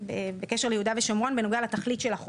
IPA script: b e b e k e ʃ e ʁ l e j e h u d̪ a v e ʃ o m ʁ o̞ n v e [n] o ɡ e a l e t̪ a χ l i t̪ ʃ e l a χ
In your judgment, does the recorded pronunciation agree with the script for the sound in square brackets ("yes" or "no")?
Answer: yes